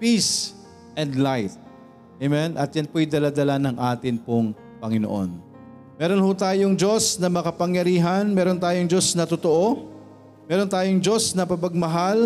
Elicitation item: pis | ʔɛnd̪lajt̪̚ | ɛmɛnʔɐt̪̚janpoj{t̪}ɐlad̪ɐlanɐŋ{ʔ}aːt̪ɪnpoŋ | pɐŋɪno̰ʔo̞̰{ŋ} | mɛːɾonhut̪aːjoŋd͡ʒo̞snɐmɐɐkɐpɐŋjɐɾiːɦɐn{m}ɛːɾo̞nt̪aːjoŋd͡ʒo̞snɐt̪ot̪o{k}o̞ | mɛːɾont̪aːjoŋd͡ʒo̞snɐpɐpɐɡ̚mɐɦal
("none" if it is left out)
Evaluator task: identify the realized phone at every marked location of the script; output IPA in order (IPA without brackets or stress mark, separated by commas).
d̪, ʔ, n, m, ʔ